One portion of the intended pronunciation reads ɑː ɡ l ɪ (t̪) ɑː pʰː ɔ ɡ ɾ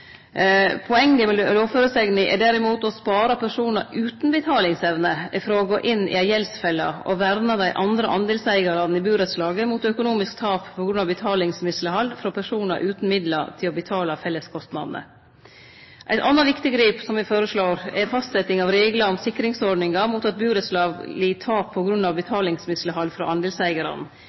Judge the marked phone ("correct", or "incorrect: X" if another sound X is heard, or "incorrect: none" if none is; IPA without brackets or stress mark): incorrect: t̪ʰ